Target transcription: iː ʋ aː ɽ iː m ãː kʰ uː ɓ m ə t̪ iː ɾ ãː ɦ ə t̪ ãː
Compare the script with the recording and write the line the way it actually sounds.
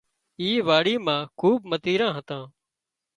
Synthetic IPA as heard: iː ʋ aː ɽ iː m ãː kʰ uː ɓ m ə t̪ iː ɾ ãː ɦ ə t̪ ãː